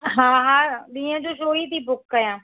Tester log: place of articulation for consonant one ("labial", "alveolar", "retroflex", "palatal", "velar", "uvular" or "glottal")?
glottal